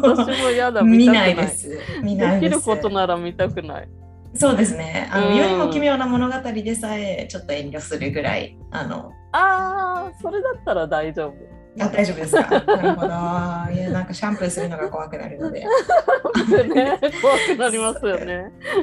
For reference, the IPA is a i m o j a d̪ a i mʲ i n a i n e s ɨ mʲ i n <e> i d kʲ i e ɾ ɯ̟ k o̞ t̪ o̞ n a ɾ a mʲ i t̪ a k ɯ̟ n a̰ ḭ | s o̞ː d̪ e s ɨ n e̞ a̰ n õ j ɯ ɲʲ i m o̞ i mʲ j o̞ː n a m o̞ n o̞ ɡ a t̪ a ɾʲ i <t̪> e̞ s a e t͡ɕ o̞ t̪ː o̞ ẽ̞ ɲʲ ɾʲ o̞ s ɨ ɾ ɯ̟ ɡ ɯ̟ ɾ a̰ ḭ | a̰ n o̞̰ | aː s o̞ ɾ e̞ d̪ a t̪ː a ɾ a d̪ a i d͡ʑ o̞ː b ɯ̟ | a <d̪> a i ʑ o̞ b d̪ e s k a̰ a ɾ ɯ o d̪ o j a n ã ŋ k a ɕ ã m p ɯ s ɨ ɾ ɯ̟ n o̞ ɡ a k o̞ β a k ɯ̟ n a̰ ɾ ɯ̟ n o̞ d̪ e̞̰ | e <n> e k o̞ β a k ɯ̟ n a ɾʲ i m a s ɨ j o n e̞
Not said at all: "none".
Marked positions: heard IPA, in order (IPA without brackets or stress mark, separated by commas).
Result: e, d̪, d̪, n